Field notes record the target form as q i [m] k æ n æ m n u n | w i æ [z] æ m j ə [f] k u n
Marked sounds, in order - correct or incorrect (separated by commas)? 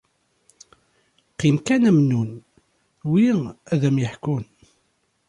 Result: correct, incorrect, incorrect